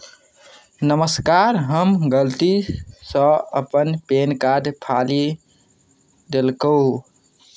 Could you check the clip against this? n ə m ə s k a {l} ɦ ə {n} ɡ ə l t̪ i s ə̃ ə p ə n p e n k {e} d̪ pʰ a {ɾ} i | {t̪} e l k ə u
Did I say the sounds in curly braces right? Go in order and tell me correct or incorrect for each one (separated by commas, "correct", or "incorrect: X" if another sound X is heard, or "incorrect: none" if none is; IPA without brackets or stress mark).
incorrect: ɾ, incorrect: m, incorrect: a, incorrect: l, incorrect: d̪